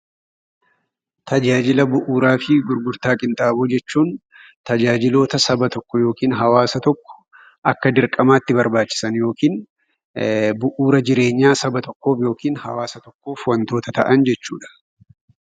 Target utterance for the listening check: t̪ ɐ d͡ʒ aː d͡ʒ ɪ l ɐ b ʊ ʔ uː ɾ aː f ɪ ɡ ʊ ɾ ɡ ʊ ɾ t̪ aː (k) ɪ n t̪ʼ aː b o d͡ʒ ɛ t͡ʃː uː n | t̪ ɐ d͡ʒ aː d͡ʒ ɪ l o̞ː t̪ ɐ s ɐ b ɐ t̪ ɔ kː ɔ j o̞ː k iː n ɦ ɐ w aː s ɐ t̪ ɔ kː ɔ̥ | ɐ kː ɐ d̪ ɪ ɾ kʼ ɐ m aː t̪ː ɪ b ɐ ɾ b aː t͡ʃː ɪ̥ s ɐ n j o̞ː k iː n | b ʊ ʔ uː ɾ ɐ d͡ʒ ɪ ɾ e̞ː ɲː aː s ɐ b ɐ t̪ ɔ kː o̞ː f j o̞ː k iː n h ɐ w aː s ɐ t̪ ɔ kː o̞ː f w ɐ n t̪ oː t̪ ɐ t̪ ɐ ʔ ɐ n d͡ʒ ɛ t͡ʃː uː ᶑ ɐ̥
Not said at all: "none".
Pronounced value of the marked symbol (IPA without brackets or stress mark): kʼ